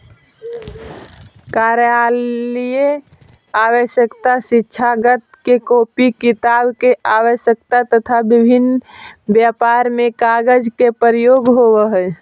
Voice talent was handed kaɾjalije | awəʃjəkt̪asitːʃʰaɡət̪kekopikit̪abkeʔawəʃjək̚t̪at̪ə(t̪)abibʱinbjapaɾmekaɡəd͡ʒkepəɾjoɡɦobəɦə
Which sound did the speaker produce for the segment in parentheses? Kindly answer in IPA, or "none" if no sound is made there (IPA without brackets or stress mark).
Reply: t̪ʰ